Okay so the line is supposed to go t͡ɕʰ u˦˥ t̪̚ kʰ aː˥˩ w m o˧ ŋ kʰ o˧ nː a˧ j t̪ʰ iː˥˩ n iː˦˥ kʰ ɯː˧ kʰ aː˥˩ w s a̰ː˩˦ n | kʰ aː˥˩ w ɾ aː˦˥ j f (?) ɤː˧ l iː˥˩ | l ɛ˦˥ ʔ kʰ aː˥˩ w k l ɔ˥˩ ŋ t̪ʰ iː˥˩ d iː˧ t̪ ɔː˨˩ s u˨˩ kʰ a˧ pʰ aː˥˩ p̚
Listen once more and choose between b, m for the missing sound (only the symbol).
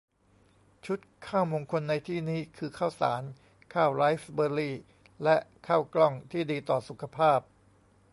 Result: b